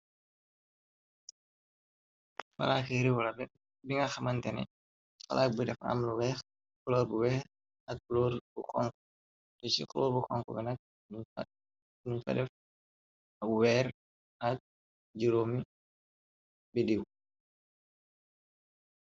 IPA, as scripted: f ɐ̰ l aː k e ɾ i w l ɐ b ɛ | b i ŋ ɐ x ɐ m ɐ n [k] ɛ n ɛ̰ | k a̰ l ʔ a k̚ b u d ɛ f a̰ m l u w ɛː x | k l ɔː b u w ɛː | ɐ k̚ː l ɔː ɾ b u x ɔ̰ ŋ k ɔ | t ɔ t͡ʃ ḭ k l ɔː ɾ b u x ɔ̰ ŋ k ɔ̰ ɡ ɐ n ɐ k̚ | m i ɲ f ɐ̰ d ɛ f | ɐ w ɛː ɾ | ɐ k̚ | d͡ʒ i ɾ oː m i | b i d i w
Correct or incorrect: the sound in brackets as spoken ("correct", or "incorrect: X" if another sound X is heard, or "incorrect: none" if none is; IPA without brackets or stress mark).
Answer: incorrect: t